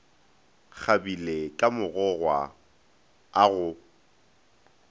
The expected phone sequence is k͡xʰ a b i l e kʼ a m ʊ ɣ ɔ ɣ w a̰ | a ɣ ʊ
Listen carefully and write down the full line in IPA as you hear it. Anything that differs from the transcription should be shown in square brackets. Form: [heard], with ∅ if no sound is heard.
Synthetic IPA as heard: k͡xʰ a b i l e kʼ a m ʊ ɣ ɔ ɣ w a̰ | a ɣ ʊ